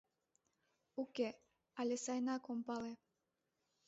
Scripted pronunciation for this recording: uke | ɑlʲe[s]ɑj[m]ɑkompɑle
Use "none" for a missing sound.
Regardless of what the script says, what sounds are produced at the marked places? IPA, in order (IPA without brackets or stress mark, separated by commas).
s, n